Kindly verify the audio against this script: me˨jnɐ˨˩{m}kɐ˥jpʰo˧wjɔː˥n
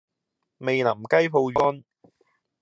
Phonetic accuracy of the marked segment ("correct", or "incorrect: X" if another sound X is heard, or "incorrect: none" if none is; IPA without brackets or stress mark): correct